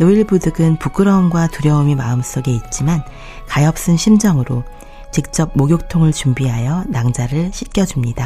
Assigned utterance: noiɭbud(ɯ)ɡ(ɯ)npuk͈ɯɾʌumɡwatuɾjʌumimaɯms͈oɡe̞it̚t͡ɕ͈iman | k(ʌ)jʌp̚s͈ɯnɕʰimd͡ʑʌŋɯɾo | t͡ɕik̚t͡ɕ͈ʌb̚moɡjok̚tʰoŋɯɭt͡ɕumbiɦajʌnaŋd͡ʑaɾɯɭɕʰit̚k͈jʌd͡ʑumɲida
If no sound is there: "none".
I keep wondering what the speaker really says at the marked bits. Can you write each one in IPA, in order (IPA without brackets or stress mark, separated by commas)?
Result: ɯ, ɯ, a